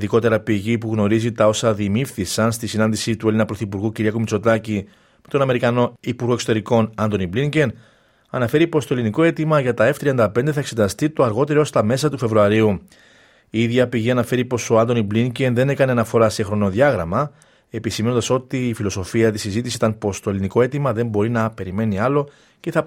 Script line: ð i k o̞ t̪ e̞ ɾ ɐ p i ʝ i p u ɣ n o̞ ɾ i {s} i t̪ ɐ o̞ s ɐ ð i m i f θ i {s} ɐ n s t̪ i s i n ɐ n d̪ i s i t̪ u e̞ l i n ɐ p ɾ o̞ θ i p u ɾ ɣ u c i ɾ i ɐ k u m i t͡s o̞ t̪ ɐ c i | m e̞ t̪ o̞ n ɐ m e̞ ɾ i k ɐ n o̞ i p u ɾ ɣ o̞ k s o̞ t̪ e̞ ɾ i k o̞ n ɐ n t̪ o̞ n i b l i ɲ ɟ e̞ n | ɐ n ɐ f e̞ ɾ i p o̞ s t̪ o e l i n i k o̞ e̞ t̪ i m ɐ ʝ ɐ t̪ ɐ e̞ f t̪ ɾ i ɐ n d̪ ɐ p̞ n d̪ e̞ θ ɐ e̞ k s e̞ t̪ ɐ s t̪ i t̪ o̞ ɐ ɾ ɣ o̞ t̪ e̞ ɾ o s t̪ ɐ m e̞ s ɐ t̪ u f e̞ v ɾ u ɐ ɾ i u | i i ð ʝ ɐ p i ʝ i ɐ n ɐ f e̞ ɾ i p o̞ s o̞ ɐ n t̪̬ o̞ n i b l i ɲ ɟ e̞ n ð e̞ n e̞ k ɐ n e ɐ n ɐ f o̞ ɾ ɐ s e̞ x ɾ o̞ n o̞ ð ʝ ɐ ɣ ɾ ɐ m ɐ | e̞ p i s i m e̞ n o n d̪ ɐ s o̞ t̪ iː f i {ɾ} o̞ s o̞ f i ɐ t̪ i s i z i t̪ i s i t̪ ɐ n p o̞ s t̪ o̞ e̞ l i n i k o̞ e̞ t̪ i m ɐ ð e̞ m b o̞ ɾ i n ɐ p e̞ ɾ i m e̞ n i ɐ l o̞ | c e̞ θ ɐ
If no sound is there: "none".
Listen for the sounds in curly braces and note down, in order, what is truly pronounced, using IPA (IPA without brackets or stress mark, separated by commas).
z, s, l